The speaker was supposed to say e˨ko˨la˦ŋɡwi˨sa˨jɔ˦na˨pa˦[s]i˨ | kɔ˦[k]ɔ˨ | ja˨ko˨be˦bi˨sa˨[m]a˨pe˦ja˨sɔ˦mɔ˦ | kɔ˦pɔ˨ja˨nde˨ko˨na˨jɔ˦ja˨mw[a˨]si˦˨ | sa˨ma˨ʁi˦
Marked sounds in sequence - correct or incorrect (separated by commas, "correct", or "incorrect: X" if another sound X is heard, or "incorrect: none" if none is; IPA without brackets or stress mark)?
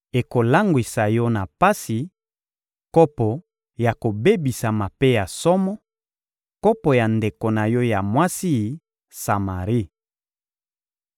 correct, incorrect: p, correct, incorrect: a˦